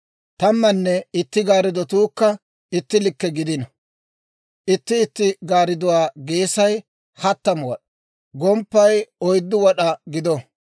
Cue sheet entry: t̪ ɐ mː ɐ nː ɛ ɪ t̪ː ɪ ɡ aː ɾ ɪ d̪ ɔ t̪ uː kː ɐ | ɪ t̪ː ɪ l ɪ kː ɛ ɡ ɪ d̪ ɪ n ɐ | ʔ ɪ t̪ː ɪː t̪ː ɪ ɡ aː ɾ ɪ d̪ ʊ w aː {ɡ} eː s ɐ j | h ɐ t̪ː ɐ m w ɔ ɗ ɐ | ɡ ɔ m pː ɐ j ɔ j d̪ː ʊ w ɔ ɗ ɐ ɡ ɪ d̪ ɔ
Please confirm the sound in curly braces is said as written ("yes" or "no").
yes